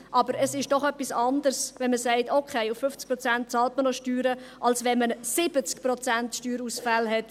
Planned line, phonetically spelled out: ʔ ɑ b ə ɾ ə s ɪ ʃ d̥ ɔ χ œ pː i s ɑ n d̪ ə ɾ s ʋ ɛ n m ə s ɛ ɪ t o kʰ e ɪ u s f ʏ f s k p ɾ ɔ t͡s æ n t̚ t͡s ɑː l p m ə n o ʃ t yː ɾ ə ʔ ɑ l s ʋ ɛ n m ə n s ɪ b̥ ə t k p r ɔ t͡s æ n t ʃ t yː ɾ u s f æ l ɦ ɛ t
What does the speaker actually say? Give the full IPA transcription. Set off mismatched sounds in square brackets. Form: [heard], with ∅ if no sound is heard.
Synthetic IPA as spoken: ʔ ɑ b ə ɾ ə s ɪ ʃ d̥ ɔ χ œ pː i s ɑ n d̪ ə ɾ s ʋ ɛ n m ə s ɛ ɪ t o kʰ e ɪ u [f] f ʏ f [t͡s] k p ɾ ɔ t͡s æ n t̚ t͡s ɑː l [t] m ə n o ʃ t yː ɾ ə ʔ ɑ l s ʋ ɛ n m ə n s ɪ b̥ ə [t͡s] k p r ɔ t͡s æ n t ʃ t yː ɾ u s f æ l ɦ ɛ t